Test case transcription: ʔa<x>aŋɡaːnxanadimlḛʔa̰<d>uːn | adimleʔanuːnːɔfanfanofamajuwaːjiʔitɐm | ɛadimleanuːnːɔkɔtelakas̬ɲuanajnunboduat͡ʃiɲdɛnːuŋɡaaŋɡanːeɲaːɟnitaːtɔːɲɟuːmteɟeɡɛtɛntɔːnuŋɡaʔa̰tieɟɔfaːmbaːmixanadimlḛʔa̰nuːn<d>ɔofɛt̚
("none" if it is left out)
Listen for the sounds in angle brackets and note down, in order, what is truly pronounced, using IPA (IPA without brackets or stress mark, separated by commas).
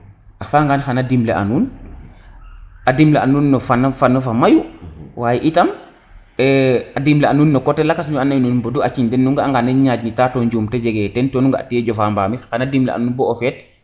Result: f, n, b